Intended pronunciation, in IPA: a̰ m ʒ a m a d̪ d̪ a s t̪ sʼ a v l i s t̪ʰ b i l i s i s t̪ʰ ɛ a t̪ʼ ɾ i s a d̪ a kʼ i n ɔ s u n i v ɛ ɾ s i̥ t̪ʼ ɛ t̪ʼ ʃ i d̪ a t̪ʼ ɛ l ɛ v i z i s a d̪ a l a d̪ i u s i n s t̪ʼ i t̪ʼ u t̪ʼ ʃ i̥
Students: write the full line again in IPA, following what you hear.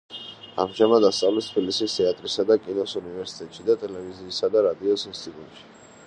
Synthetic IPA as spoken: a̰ m ʒ a m a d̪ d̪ a s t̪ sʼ a v l i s t̪ʰ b i l i s i s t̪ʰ ɛ a t̪ʼ ɾ i s a d̪ a kʼ i n ɔ s u n i v ɛ ɾ s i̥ t̪ʼ ɛ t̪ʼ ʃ i d̪ a t̪ʼ ɛ l ɛ v i z iː s a d̪ a ɾ a d̪ i ɔ s i n s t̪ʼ i t̪ʼ u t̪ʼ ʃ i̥